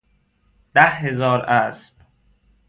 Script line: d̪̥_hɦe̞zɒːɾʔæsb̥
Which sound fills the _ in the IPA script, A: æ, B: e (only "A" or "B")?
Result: A